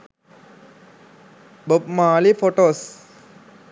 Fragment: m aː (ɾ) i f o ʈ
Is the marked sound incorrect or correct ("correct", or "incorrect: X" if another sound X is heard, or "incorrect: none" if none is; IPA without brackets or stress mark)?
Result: incorrect: l